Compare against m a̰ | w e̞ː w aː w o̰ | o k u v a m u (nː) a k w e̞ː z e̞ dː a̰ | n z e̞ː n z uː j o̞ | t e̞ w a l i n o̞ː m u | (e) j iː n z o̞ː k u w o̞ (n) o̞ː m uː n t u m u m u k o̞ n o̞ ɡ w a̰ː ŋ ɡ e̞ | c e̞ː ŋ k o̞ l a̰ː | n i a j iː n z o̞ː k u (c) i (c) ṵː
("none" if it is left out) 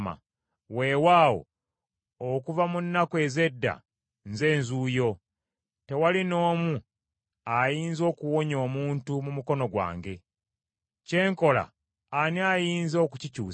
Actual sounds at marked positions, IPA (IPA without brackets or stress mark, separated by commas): nː, a, ɲ, c, c